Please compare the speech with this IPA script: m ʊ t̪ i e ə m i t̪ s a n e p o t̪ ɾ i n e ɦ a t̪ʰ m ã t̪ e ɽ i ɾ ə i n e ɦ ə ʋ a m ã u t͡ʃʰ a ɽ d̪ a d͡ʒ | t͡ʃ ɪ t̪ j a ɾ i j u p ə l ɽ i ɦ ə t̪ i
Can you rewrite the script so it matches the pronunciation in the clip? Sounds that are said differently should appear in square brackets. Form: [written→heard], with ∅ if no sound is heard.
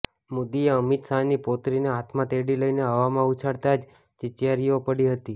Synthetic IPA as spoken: m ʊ [t̪→d̪] i e ə m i t̪ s a n [e→i] p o t̪ ɾ i n e ɦ a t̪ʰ m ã t̪ e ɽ i [ɾ→l] ə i n e ɦ ə ʋ a m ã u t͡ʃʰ a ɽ [d̪→t̪] a d͡ʒ | t͡ʃ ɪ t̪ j a ɾ i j [u→o] p ə [l→∅] ɽ i ɦ ə t̪ i